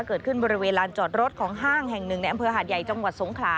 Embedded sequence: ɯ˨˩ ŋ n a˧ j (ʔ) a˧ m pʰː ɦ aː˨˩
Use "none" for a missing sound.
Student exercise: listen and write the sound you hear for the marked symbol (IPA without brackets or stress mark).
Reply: ʔ